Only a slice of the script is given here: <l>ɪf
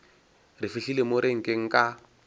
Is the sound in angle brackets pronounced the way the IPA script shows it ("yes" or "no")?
no